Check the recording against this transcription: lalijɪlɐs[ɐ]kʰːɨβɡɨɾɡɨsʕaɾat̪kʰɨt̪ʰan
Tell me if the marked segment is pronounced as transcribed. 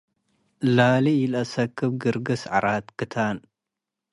yes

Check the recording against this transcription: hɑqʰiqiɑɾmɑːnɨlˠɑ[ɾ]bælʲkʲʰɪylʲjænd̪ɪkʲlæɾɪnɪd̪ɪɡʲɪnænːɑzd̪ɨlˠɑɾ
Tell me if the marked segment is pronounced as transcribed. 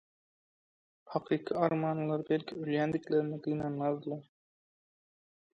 yes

